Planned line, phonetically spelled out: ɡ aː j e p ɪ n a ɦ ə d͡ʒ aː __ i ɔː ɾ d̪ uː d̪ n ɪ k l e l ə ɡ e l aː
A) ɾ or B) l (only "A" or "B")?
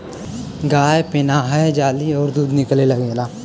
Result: B